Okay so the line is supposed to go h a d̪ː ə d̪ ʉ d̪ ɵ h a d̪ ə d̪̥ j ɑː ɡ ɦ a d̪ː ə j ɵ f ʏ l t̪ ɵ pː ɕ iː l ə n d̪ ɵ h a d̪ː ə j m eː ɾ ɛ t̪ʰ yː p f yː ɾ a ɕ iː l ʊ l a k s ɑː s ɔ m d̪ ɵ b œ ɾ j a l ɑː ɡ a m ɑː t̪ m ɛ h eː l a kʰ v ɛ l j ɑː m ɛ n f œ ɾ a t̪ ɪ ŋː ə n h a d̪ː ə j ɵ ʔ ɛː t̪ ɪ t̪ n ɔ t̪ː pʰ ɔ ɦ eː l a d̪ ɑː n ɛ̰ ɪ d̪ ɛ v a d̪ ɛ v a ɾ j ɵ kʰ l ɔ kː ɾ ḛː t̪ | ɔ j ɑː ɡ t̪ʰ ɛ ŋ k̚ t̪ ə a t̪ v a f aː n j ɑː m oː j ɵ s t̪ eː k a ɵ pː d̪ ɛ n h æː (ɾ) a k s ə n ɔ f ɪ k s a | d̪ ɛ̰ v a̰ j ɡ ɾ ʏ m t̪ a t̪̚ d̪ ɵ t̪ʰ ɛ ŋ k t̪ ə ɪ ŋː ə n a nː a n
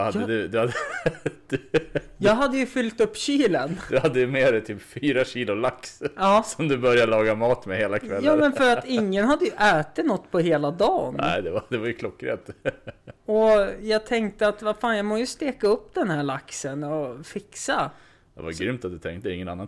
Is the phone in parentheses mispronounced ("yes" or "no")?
yes